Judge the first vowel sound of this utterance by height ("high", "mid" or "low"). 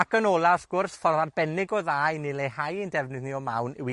low